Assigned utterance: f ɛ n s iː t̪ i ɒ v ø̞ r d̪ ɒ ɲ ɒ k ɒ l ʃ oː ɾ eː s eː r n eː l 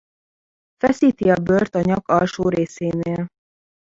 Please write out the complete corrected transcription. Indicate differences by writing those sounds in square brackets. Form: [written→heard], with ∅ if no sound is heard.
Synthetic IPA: f ɛ [n→∅] s iː t̪ i ɒ [v→b] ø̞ r [d̪→t̪] ɒ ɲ ɒ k ɒ l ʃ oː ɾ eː s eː [r→∅] n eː l